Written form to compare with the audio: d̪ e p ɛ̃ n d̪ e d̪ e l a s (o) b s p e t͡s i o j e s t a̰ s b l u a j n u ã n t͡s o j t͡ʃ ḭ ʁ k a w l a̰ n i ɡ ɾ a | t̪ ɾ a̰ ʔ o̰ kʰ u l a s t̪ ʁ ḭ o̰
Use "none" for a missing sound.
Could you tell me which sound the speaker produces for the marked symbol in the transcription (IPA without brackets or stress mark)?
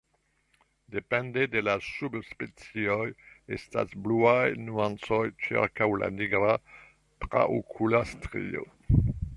u